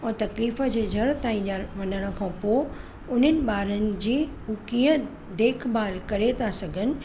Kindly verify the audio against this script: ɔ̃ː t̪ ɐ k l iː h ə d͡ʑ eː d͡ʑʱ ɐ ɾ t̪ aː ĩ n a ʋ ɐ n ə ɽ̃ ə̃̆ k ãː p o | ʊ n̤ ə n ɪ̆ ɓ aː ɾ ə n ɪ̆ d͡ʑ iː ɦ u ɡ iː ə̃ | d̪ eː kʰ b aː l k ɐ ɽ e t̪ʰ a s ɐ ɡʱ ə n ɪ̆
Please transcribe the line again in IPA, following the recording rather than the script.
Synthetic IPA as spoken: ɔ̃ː t̪ ɐ k l iː f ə d͡ʑ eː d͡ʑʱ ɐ ɾ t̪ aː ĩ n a ʋ ɐ n ə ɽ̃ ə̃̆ kʰ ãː p o | ʊ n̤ ə n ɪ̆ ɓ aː ɾ ə n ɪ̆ d͡ʑ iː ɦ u k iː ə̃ | d̪ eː kʰ b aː l k ɐ ɾ e t̪ʰ a s ɐ ɡʱ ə n ɪ̆